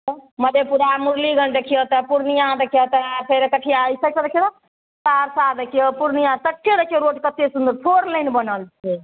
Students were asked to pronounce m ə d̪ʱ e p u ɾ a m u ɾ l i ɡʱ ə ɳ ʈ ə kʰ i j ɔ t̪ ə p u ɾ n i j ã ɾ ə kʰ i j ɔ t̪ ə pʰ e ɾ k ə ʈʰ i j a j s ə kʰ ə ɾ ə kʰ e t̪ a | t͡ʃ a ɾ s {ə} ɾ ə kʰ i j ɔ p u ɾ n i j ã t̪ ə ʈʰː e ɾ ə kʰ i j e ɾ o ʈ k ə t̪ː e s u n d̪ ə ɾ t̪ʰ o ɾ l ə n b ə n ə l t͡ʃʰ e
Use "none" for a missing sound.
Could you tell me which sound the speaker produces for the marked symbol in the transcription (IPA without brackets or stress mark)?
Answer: a